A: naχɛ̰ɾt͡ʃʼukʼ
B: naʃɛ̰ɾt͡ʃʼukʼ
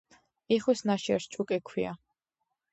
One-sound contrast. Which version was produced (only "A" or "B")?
B